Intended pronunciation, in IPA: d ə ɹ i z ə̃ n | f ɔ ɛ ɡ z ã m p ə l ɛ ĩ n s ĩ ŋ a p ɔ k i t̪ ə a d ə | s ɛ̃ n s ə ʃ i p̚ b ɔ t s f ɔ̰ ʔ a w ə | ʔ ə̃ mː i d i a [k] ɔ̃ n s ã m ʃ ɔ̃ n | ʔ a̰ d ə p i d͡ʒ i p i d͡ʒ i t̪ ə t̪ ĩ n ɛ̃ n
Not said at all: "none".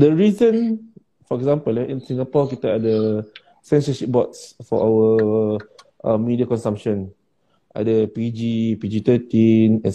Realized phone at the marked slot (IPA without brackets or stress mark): k